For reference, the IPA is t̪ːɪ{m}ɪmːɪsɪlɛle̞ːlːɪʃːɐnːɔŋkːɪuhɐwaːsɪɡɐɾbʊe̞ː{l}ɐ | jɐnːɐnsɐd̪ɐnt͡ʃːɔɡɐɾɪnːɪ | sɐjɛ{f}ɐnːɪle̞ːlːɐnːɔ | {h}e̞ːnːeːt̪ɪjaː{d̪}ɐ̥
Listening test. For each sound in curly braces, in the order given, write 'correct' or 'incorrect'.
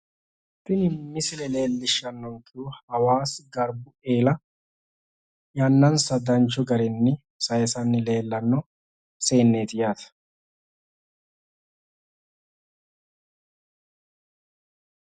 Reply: incorrect, correct, incorrect, incorrect, incorrect

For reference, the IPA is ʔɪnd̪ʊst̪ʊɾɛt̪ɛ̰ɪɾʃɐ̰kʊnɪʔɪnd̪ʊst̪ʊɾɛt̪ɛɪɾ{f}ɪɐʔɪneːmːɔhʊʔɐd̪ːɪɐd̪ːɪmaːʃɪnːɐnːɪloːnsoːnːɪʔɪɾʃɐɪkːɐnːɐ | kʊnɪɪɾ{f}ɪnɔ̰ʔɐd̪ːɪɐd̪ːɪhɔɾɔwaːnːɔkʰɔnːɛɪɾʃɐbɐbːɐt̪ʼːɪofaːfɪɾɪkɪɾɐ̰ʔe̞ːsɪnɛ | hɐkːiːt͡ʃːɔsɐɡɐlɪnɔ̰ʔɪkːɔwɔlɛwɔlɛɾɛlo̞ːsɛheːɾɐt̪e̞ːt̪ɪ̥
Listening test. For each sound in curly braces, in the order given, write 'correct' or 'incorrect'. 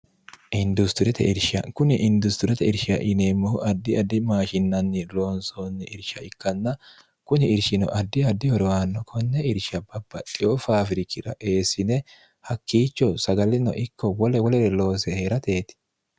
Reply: incorrect, incorrect

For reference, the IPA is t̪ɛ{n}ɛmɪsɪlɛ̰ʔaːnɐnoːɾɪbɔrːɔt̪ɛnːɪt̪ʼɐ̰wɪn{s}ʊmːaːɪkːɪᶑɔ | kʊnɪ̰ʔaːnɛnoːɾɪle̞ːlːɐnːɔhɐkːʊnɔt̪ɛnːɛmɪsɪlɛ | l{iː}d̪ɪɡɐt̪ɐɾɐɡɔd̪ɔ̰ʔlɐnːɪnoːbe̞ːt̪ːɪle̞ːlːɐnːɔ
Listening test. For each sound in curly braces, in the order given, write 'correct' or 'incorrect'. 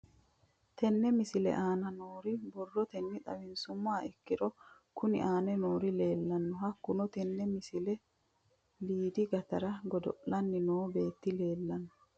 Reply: incorrect, correct, correct

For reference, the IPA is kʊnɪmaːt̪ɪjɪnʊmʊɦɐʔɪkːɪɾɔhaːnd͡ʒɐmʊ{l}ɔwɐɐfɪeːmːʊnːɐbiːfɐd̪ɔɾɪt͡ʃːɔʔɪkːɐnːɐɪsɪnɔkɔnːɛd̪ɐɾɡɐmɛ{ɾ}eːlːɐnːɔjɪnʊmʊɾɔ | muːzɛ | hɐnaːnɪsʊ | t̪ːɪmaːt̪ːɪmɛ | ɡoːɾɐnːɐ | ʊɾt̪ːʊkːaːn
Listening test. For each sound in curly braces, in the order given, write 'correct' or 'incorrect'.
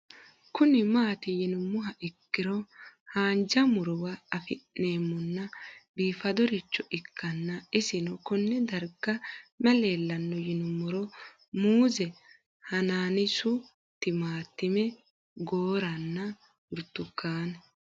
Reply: incorrect, incorrect

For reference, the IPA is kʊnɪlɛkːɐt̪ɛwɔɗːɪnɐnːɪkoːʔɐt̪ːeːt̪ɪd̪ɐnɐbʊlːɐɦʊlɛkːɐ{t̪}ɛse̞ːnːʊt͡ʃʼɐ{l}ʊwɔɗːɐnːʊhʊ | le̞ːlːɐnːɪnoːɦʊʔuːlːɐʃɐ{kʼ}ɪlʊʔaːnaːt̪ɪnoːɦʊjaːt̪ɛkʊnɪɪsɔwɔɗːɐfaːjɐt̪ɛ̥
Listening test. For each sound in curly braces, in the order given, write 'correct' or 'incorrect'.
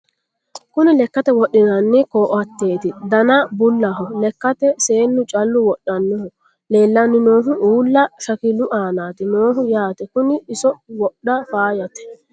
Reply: correct, incorrect, incorrect

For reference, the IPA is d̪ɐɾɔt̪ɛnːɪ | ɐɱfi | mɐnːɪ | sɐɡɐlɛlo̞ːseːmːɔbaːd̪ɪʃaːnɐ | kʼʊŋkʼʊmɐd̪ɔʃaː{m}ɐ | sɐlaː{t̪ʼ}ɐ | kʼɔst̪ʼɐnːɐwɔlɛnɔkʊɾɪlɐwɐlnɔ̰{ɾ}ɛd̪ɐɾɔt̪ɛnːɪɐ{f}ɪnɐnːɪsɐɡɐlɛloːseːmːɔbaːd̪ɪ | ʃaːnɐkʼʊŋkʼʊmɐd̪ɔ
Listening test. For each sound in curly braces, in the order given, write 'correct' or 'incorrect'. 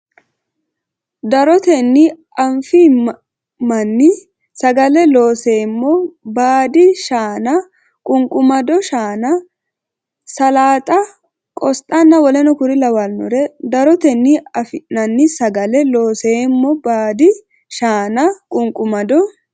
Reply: incorrect, correct, correct, correct

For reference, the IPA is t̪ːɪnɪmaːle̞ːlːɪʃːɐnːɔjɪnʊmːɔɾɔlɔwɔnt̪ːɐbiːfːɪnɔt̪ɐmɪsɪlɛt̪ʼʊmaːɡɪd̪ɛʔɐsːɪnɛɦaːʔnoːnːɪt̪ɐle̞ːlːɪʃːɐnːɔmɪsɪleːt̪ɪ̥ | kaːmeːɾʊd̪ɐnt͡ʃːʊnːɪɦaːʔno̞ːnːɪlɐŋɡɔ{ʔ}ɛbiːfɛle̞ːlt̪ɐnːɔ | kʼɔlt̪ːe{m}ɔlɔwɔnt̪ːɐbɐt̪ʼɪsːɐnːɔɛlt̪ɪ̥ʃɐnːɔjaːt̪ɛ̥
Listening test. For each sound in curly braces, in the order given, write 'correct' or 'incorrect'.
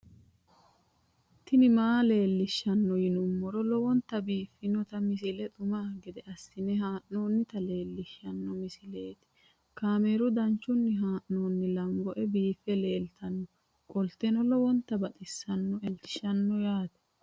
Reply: correct, incorrect

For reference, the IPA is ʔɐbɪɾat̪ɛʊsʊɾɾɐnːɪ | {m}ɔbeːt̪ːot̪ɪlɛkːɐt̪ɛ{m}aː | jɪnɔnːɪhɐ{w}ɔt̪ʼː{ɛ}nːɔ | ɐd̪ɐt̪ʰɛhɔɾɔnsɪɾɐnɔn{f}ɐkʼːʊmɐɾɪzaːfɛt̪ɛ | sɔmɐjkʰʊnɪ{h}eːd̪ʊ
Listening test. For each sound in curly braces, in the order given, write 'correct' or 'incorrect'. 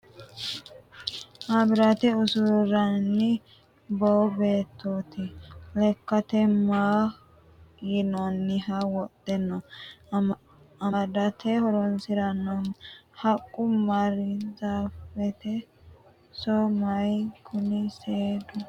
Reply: incorrect, correct, correct, correct, incorrect, incorrect

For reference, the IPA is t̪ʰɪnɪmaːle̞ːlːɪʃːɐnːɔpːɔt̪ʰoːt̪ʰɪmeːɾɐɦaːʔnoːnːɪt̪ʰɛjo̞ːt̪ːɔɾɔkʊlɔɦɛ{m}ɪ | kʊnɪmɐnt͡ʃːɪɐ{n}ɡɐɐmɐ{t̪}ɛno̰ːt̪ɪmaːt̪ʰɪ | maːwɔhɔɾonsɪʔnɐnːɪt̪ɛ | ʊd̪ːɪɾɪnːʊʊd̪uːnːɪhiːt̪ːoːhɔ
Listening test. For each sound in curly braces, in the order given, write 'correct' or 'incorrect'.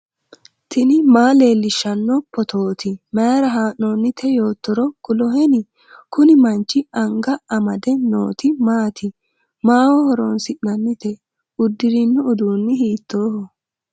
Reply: incorrect, incorrect, incorrect

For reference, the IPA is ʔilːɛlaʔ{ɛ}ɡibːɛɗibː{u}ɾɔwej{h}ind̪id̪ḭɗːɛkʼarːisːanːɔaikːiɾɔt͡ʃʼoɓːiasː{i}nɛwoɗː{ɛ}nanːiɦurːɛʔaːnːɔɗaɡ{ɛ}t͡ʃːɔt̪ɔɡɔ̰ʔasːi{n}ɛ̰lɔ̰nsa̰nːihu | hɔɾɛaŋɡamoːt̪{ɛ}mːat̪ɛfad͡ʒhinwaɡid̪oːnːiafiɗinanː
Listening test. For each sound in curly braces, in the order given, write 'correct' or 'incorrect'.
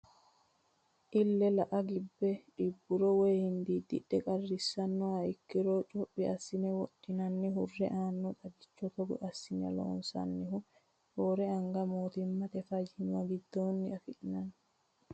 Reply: incorrect, correct, correct, correct, incorrect, incorrect, correct, incorrect

